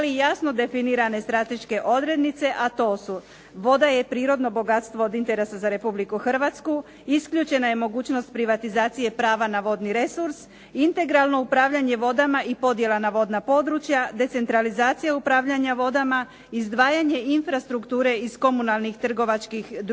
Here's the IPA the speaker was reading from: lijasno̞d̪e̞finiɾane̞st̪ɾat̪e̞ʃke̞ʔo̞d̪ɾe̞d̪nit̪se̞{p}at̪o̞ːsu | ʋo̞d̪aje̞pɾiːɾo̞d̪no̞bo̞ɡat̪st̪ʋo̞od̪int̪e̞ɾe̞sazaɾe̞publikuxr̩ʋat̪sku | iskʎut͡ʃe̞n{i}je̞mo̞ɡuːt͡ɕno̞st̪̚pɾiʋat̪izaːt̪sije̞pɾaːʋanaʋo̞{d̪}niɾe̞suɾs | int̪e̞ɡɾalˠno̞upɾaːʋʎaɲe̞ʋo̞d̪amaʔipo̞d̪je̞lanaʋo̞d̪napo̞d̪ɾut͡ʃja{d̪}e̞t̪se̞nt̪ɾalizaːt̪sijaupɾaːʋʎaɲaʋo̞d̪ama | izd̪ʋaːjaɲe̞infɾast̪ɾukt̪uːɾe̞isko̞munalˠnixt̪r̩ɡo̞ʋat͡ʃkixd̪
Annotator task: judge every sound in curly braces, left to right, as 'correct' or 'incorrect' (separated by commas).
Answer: incorrect, incorrect, correct, correct